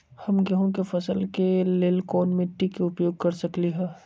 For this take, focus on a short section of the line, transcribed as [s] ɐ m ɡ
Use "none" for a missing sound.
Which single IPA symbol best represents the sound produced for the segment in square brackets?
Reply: h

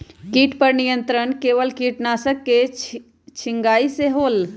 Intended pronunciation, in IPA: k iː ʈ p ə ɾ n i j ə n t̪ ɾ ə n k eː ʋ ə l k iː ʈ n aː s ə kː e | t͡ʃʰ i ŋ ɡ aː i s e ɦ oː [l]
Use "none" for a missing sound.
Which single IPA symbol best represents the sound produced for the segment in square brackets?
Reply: l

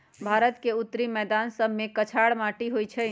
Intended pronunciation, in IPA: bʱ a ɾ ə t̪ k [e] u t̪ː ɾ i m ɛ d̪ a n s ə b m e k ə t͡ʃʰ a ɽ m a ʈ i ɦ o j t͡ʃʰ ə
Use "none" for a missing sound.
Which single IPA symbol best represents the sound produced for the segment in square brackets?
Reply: e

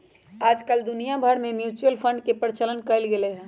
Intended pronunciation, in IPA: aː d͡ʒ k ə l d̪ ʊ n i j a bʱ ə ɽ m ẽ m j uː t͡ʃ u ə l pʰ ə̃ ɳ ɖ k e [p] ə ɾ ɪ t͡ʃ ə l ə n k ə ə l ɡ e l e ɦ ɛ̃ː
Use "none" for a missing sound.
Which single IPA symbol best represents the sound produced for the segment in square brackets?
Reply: p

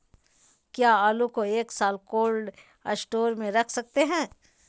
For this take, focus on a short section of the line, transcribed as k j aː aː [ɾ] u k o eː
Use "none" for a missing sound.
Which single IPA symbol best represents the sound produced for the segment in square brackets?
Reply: l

